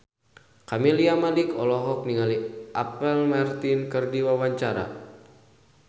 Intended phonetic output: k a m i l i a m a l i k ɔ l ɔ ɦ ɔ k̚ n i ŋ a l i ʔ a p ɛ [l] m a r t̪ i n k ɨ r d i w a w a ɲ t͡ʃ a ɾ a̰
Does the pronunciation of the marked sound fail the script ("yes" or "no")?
no